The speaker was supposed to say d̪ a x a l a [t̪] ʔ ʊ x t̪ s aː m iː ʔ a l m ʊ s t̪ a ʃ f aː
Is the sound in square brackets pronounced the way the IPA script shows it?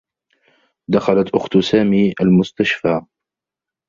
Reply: yes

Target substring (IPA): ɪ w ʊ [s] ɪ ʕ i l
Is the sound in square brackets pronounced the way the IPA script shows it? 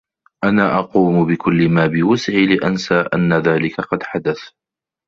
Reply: yes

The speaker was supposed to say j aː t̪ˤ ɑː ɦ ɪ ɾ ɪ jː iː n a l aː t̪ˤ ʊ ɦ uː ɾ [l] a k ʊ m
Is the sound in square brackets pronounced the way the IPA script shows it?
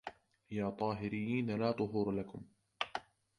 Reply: yes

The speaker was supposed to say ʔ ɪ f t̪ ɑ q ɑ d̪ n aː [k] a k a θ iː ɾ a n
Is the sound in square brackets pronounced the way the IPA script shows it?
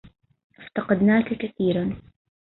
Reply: yes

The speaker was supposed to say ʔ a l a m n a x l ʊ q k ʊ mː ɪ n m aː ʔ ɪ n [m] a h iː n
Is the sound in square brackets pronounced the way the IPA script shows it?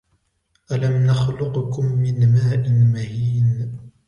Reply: yes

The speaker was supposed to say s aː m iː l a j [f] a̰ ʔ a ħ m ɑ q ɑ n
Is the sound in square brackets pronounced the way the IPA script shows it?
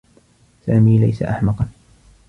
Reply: no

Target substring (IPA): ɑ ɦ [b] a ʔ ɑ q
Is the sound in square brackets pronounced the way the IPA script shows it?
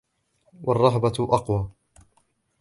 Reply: yes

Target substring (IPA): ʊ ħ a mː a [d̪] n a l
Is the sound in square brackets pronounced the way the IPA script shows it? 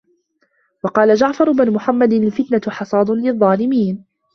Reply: yes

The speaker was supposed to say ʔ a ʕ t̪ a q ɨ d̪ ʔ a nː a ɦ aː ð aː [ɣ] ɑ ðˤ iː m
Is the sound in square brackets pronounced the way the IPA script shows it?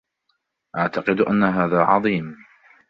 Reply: no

